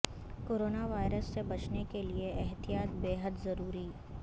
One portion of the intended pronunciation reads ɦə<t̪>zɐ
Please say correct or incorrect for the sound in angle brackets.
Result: incorrect